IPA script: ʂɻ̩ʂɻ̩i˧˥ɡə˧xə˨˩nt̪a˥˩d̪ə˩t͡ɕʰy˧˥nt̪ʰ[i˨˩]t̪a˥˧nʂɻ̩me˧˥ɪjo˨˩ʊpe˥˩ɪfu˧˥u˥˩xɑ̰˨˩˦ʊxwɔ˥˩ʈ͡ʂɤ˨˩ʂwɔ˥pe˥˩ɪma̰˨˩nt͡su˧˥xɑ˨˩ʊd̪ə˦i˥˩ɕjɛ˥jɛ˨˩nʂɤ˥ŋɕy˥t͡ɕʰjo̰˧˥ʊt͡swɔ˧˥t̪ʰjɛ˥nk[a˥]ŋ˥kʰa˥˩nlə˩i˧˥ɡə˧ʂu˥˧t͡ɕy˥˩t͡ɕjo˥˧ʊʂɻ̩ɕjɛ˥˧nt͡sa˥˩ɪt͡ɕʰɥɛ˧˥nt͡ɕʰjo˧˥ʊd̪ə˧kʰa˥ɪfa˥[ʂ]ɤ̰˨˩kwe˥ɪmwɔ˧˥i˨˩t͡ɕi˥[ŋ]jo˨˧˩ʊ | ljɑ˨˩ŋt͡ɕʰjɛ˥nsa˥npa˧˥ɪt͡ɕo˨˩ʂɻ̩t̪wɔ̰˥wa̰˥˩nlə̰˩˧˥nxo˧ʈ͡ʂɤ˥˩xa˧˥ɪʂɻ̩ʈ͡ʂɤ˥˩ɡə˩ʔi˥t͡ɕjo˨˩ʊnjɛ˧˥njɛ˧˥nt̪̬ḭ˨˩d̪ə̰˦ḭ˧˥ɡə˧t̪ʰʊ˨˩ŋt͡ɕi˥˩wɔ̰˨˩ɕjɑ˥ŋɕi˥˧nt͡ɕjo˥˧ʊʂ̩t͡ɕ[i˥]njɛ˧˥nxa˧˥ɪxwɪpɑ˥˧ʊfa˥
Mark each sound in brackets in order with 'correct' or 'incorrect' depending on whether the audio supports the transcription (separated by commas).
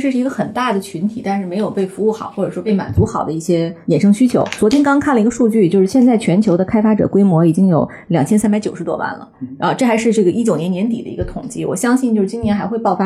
correct, incorrect, incorrect, correct, correct